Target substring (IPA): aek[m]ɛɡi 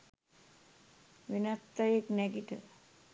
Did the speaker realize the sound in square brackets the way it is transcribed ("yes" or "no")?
no